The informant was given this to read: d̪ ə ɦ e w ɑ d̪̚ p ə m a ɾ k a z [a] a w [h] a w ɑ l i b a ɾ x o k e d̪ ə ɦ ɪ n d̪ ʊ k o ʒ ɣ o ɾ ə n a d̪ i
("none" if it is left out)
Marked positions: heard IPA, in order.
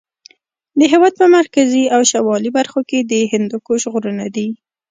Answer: i, ʃ

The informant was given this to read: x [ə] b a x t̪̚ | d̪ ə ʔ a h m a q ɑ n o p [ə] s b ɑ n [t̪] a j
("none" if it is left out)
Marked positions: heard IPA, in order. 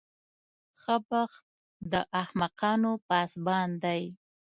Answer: ə, ɑ, d̪

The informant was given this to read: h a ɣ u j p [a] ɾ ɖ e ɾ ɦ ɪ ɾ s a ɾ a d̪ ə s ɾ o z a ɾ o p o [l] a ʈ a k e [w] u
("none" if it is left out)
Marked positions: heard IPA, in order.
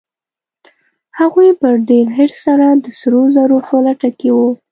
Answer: ə, l, w

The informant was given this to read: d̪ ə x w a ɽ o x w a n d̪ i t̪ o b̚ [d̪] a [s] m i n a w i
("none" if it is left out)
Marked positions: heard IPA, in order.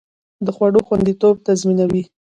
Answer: t̪, z

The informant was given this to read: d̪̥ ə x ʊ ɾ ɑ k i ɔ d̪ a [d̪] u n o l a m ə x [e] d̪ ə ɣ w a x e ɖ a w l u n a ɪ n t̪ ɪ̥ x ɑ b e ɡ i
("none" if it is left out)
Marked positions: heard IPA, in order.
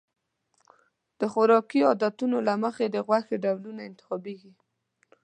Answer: t̪, e

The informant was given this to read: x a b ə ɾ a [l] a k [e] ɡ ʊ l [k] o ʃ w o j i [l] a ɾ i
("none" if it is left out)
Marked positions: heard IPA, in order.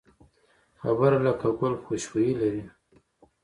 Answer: l, a, x, l

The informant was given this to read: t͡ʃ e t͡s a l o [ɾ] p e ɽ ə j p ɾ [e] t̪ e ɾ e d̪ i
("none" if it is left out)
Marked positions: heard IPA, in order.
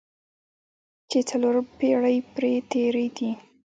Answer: ɾ, e

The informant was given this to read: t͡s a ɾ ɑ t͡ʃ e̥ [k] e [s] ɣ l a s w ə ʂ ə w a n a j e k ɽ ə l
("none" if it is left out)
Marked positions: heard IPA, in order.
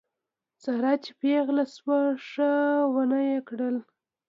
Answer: p, none

